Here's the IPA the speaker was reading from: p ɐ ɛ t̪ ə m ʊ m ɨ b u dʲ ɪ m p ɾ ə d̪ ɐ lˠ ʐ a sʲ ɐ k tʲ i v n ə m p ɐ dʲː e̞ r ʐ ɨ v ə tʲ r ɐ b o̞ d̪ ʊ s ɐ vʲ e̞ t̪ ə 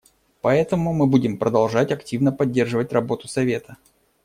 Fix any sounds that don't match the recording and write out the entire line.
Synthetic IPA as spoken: p ɐ ɛ t̪ ə m ʊ m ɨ b u dʲ ɪ m p ɾ ə d̪ ɐ lˠ ʐ a tʲ ɐ k tʲ i v n ə p ɐ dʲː e̞ r ʐ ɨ v ə tʲ r ɐ b o̞ t̪ ʊ s ɐ vʲ e̞ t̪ ə